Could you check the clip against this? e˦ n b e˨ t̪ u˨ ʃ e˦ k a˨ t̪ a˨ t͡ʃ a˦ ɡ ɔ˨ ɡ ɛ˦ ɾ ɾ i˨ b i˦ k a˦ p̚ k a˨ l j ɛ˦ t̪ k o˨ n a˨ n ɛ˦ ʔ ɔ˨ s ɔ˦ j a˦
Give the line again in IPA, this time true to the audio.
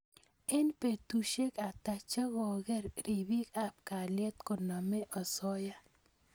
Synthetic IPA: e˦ n p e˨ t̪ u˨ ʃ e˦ k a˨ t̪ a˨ t͡ʃ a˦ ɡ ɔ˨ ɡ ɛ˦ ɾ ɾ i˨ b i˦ k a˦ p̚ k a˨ l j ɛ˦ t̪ k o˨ n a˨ m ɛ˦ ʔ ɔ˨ s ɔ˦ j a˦